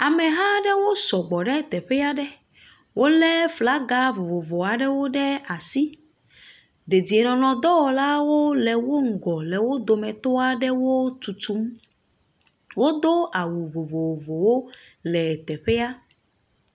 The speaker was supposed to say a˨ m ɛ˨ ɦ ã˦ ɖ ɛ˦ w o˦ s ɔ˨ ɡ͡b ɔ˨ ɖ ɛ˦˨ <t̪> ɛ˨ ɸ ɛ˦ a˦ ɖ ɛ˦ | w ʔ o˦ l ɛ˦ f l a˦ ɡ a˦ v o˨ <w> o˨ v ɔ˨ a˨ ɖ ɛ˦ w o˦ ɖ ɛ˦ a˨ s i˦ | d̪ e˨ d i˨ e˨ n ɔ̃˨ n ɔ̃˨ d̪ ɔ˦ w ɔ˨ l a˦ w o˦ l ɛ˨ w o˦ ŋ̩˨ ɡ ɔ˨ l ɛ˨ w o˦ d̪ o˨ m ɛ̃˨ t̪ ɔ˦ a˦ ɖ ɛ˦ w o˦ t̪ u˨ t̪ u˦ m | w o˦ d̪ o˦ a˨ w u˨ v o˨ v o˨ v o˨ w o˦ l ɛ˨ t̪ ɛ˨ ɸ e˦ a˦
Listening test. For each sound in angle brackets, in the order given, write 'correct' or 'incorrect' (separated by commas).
correct, incorrect